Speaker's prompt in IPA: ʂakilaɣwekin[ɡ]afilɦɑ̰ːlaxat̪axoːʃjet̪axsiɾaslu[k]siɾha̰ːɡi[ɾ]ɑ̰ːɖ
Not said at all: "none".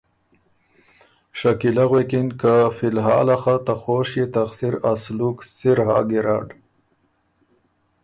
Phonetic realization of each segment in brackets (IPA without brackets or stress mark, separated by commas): k, k, ɾ